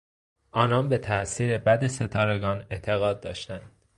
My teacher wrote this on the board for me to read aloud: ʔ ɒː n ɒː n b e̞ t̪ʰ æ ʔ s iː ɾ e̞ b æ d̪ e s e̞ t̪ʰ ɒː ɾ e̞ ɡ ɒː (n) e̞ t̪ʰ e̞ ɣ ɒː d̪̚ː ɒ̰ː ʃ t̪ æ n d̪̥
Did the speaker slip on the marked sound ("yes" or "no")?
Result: no